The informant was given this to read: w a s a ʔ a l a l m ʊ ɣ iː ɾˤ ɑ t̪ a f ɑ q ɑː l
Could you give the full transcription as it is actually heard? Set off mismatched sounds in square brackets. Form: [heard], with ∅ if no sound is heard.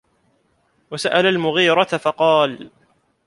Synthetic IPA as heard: w a s a ʔ a l a l m ʊ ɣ iː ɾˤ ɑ t̪ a f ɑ q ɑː l